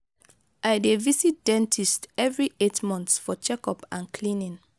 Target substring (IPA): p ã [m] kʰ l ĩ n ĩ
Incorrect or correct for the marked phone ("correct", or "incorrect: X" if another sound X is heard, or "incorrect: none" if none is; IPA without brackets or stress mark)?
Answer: incorrect: n